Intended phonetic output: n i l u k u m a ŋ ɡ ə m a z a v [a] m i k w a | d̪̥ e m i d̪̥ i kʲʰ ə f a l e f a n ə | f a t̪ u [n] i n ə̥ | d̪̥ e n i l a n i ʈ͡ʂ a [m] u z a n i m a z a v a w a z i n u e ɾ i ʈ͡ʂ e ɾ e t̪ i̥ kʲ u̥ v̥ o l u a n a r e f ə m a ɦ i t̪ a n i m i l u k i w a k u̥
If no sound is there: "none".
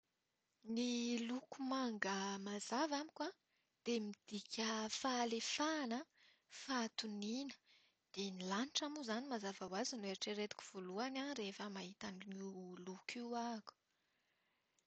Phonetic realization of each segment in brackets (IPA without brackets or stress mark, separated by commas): a, n, m